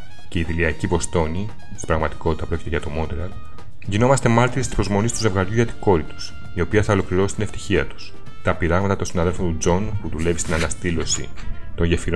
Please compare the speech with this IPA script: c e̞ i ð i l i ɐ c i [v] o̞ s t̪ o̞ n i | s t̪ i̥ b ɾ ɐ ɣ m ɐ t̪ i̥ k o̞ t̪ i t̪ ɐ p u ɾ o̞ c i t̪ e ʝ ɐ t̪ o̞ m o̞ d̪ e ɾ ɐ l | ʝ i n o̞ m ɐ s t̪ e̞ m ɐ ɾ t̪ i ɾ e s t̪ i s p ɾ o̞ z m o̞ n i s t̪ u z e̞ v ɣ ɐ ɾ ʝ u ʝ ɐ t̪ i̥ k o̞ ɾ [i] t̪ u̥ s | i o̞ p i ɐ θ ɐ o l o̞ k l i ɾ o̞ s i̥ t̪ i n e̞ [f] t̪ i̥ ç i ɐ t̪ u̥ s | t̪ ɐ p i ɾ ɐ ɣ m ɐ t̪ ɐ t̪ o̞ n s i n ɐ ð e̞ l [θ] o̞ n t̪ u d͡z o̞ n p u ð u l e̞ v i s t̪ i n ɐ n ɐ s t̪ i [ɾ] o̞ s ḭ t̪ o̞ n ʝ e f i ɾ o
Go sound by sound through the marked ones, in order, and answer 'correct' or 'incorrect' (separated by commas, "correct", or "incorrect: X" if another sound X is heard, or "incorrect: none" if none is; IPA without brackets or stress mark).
correct, correct, correct, incorrect: f, incorrect: l